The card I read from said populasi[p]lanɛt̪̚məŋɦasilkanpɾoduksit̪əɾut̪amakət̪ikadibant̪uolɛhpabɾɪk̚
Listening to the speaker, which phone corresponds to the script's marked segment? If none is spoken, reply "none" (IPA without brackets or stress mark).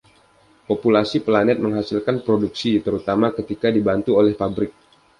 p